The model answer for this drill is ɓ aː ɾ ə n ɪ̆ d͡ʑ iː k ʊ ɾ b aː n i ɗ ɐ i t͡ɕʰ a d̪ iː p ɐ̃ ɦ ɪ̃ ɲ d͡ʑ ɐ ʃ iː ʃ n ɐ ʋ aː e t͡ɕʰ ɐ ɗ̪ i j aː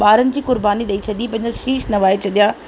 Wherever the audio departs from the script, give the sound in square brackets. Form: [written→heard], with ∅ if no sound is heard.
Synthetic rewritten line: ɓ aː ɾ ə n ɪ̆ d͡ʑ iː k ʊ ɾ b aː n i ɗ ɐ i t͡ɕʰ [a→ɐ] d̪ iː p ɐ̃ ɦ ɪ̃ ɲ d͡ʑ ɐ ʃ iː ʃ n ɐ ʋ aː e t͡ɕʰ ɐ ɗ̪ i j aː